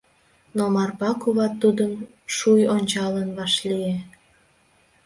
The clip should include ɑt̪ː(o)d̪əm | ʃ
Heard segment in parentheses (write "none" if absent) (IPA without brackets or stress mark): u